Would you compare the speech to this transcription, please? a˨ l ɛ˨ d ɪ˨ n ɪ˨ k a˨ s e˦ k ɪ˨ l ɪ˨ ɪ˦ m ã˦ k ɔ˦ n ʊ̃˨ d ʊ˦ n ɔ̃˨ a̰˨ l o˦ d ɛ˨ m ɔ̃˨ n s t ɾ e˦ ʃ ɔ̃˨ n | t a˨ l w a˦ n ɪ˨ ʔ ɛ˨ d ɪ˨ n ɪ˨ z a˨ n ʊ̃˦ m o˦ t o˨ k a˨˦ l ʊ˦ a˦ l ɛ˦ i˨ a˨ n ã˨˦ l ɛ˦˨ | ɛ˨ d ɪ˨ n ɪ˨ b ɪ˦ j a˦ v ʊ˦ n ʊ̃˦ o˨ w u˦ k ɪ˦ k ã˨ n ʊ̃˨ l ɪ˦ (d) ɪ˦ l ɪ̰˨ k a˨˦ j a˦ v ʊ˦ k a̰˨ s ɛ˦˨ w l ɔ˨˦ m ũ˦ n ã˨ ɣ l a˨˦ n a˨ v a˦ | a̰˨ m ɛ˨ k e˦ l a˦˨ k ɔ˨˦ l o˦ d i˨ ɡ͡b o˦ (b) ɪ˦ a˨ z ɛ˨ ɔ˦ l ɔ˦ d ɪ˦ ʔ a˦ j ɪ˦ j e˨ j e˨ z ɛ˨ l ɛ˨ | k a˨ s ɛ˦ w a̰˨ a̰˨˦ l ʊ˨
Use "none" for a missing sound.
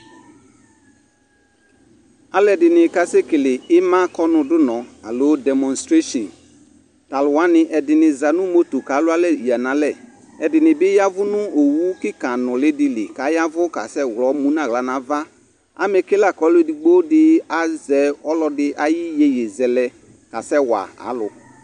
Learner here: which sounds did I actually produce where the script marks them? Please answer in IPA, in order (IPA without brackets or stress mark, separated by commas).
d, d